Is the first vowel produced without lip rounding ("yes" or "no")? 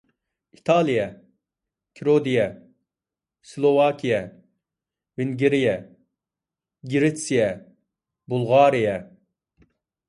yes